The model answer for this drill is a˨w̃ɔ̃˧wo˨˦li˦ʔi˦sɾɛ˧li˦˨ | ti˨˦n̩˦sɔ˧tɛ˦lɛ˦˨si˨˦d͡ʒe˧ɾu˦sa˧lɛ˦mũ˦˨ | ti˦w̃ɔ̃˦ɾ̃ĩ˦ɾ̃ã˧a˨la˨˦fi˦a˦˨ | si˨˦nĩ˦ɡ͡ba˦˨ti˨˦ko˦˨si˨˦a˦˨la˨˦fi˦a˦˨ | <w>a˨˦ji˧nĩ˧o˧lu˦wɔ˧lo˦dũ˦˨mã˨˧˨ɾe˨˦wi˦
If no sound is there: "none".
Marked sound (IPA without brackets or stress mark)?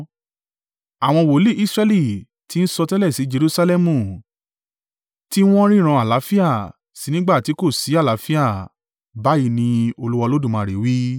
b